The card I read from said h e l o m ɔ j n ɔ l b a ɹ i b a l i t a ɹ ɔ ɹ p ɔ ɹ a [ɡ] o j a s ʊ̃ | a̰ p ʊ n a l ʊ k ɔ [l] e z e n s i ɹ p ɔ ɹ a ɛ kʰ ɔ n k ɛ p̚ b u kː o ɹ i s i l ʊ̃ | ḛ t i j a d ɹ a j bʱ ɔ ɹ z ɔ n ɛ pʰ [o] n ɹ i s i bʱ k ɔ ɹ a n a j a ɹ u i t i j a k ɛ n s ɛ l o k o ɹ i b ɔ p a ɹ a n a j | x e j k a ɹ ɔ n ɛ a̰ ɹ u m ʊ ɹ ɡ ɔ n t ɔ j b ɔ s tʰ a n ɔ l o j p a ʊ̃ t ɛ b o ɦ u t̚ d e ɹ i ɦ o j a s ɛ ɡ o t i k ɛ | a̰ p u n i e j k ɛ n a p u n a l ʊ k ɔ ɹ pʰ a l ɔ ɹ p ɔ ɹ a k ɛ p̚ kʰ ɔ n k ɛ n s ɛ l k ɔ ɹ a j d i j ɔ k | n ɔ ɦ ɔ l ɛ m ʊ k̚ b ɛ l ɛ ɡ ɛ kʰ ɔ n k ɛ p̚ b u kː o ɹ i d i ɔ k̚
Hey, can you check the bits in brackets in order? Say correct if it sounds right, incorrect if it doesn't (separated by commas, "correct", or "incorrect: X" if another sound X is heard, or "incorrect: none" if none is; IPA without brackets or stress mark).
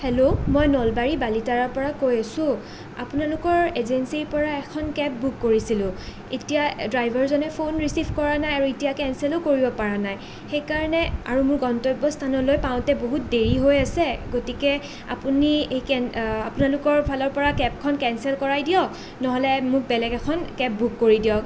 incorrect: k, incorrect: ɹ, correct